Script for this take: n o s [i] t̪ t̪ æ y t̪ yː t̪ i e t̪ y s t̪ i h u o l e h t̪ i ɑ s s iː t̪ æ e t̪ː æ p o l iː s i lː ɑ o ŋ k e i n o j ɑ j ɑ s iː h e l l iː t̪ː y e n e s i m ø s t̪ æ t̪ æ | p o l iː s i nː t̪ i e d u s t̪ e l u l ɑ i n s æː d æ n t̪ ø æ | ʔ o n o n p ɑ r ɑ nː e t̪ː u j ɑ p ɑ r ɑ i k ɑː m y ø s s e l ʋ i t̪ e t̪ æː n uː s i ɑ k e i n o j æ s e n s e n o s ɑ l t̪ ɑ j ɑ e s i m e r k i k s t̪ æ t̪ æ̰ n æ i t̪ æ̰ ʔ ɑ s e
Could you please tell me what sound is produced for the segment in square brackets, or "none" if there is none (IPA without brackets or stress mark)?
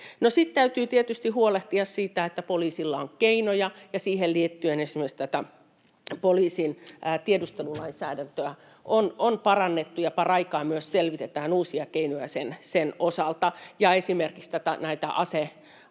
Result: i